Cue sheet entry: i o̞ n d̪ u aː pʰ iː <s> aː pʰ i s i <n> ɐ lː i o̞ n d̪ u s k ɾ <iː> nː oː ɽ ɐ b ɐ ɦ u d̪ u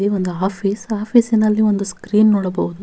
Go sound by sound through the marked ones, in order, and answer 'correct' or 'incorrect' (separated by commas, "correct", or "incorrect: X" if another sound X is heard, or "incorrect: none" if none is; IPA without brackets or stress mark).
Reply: correct, correct, correct